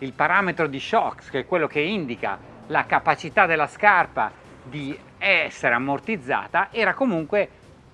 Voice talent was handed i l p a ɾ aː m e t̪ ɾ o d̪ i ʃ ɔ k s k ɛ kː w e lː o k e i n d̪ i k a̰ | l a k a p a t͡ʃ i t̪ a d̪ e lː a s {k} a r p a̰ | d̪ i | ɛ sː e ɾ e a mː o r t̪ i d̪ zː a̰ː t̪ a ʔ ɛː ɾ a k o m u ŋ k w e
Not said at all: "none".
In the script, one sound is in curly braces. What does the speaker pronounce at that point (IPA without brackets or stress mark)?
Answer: k